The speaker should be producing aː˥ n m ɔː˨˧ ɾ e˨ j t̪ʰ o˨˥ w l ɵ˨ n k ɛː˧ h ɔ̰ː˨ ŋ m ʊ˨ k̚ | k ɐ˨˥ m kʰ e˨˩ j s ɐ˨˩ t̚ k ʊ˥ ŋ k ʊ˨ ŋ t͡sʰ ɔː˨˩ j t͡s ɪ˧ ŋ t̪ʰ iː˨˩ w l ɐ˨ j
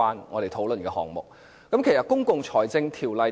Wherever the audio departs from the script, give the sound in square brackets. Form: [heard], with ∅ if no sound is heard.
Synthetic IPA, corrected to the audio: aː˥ n [ŋ] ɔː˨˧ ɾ e˨ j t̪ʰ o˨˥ w l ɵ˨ n k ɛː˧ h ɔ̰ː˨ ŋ m ʊ˨ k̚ | k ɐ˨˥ m kʰ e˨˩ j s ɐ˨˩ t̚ k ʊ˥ ŋ k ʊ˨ ŋ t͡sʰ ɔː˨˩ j t͡s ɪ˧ ŋ t̪ʰ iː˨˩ w l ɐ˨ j